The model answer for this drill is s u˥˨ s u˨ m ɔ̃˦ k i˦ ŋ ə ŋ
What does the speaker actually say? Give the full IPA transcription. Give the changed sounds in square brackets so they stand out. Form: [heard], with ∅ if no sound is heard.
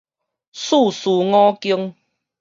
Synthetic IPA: s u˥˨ s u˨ [ŋ] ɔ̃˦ k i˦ [∅] ə ŋ